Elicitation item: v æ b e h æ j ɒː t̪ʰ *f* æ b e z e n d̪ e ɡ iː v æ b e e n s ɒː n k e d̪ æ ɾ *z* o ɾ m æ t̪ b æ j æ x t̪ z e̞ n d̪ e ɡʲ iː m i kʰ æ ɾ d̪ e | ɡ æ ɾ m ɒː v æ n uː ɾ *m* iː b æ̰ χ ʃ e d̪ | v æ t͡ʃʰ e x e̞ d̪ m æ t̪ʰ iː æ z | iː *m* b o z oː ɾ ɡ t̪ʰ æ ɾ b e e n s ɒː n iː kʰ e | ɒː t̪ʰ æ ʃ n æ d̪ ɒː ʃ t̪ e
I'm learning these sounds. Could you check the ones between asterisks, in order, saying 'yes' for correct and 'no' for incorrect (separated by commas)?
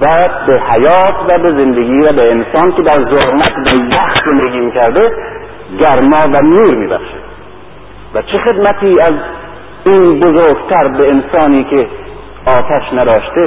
no, yes, yes, no